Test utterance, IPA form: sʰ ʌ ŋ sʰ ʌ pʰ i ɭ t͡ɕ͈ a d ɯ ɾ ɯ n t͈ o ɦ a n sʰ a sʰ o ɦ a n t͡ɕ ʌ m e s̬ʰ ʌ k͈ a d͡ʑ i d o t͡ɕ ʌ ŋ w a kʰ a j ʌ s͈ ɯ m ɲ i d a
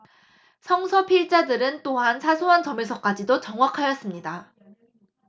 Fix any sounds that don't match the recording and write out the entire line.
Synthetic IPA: sʰ ʌ ŋ sʰ ʌ pʰ i ɭ t͡ɕ͈ a d ɯ ɾ ɯ n t͈ o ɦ a n sʰ a sʰ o ɦ a n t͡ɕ ʌ m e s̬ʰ ʌ k͈ a d͡ʑ i d o t͡ɕ ʌ ŋ w a kʰ a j ʌ s͈ ɯ m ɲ i d a

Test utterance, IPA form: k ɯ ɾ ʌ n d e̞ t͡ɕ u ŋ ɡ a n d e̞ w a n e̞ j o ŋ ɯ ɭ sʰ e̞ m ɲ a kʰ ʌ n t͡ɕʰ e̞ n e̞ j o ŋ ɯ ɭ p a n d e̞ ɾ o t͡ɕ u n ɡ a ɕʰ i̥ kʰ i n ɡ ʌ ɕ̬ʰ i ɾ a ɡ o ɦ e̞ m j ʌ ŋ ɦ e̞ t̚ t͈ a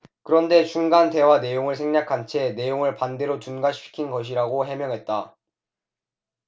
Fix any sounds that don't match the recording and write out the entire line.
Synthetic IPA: k ɯ ɾ ʌ n d e̞ t͡ɕ u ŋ ɡ a n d e̞ w a n e̞ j o ŋ ɯ ɭ sʰ e̞ ŋ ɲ a kʰ a n t͡ɕʰ e̞ n e̞ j o ŋ ɯ ɭ p a n d e̞ ɾ o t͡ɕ u n ɡ a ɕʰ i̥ kʰ i n ɡ ʌ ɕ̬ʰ i ɾ a ɡ o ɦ e̞ m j ʌ ŋ ɦ e̞ t̚ t͈ a

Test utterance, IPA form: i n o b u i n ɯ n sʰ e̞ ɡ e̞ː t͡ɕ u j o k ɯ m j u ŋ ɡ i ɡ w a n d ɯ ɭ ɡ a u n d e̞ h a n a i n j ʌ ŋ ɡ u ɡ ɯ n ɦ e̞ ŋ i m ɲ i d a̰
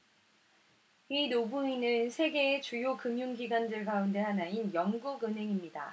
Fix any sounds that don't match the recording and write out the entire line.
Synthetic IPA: i n o b u i n ɯ n sʰ e̞ ɡ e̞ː t͡ɕ u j o k ɯ m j u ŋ ɡ i ɡ w a n d ɯ ɭ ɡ a u n d e̞ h a n a i n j ʌ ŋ ɡ u ɡ ɯ n ɦ e̞ ŋ i m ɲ i d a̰

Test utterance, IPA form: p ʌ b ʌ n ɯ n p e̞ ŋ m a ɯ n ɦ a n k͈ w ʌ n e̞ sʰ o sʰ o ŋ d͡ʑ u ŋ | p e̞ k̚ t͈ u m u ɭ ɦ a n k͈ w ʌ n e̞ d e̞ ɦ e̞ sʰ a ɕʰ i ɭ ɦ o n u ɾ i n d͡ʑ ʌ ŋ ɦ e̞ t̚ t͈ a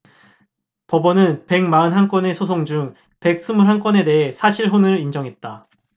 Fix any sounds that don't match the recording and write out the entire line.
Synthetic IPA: p ʌ b ʌ n ɯ n p e̞ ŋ m a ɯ n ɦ a n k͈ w ʌ n e̞ sʰ o sʰ o ŋ d͡ʑ u ŋ | p e̞ k̚ s͈ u m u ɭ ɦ a n k͈ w ʌ n e̞ d e̞ ɦ e̞ sʰ a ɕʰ i ɭ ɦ o n ɯ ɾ i n d͡ʑ ʌ ŋ ɦ e̞ t̚ t͈ a

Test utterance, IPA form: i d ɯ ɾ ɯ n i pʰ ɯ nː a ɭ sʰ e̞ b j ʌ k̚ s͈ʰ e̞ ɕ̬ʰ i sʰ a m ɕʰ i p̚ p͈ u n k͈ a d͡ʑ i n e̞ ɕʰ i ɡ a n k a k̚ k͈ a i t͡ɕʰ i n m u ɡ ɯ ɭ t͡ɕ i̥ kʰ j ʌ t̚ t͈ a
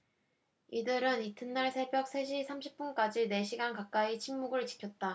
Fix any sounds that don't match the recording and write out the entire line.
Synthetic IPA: i d ɯ ɾ ɯ n i tʰ ɯ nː a ɭ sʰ e̞ b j ʌ k̚ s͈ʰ e̞ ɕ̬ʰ i sʰ a m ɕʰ i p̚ p͈ u n k͈ a d͡ʑ i n e̞ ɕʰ i ɡ a n k a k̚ k͈ a i t͡ɕʰ i ŋ m u ɡ ɯ ɭ t͡ɕ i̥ kʰ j ʌ t̚ t͈ a

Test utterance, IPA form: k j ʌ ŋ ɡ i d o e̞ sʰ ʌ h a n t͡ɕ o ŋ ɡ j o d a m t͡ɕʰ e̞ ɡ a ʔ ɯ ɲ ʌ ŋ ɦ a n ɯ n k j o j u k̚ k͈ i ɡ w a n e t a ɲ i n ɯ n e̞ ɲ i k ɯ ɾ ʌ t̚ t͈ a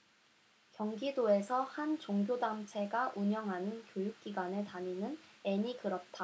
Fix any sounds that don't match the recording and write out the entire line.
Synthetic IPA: k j ʌ ŋ ɡ i d o e̞ sʰ ʌ h a n t͡ɕ o ŋ ɡ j o d a m t͡ɕʰ e̞ ɡ a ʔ u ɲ ʌ ŋ ɦ a n ɯ n k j o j u k̚ k͈ i ɡ w a n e t a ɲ i n ɯ n e̞ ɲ i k ɯ ɾ ʌ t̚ t͈ a

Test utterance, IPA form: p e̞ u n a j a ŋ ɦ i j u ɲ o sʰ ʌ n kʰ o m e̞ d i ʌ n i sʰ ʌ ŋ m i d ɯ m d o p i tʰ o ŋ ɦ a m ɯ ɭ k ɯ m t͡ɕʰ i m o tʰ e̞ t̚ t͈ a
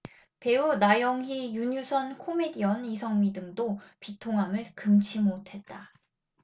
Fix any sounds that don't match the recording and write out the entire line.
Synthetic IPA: p e̞ u n a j ʌ ŋ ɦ i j u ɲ u sʰ ʌ n kʰ o m e̞ d i ʌ n i sʰ ʌ ŋ m i d ɯ ŋ d o p i tʰ o ŋ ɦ a m ɯ ɭ k ɯ m t͡ɕʰ i m o tʰ e̞ t̚ t͈ a

